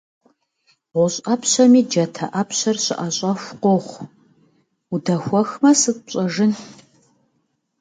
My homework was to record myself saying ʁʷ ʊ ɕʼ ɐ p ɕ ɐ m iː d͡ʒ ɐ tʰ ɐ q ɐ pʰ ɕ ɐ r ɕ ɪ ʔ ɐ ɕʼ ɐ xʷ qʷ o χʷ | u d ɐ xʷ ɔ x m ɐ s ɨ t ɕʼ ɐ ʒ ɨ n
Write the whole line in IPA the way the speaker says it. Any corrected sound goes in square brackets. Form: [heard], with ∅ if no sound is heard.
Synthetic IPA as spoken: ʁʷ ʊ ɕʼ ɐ p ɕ ɐ m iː d͡ʒ ɐ tʰ ɐ [ʔ] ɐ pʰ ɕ ɐ r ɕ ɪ ʔ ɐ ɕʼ ɐ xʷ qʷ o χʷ | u d ɐ xʷ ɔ x m ɐ s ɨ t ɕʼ ɐ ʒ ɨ n